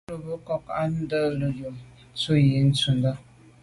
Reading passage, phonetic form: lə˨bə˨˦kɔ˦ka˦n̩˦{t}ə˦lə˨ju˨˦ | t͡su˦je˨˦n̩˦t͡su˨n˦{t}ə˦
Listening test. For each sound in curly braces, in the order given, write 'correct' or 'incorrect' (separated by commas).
incorrect, incorrect